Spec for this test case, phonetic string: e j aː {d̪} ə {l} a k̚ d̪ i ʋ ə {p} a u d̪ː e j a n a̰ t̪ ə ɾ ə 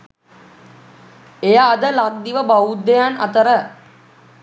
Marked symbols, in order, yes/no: yes, yes, no

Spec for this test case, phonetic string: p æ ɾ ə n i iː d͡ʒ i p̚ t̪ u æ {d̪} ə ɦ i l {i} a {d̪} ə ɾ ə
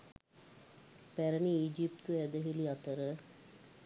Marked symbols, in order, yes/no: yes, yes, no

